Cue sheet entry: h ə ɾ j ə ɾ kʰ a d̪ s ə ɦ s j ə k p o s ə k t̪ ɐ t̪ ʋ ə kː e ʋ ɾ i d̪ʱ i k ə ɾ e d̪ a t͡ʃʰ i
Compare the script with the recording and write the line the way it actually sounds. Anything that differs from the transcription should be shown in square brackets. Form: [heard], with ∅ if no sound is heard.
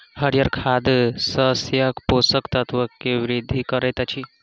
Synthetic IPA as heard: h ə ɾ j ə ɾ kʰ a d̪ s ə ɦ s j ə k p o s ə k t̪ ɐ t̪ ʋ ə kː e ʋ ɾ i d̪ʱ i k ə ɾ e [t̪] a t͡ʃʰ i